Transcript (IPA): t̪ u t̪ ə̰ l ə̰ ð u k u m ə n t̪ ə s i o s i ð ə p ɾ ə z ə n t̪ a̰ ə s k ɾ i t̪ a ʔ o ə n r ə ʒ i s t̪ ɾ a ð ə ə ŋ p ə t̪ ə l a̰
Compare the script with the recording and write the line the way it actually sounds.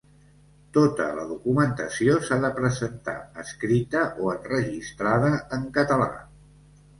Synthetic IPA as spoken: t̪ o t̪ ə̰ l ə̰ ð u k u m ə n t̪ ə s i o s a ð ə p ɾ ə z ə n t̪ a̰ ə s k ɾ i t̪ ə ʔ o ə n r ə ʒ i s t̪ ɾ a ð ə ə ŋ k ə t̪ ə l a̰